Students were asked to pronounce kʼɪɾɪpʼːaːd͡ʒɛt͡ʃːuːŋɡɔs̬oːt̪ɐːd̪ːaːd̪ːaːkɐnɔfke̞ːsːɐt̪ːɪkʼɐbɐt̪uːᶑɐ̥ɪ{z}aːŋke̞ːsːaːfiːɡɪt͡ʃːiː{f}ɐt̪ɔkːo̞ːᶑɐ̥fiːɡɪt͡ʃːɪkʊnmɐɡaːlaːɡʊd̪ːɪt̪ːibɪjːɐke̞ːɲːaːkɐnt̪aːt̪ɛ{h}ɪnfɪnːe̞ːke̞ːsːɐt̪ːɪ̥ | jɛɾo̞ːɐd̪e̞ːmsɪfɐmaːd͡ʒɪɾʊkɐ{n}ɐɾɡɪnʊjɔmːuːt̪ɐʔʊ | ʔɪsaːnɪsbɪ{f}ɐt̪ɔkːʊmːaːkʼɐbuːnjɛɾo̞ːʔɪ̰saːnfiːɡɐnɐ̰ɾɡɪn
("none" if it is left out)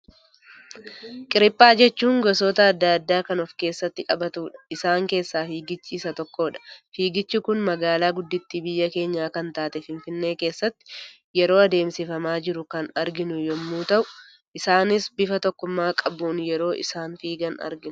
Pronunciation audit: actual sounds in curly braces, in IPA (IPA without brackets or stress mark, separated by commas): s, s, f, n, f